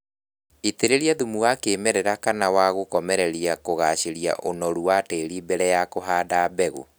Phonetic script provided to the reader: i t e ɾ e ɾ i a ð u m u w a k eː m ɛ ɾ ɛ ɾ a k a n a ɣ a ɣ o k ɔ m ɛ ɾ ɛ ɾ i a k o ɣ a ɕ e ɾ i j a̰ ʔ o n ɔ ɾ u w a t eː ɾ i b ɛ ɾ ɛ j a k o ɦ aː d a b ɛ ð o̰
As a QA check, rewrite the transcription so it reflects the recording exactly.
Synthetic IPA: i t e ɾ e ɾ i a ð u m u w a k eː m ɛ ɾ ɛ ɾ a k a n a w a ɣ o k ɔ m ɛ ɾ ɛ ɾ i a k o ɣ a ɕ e ɾ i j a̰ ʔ o n ɔ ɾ u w a t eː ɾ i b ɛ ɾ ɛ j a k o ɦ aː d a b ɛ ɣ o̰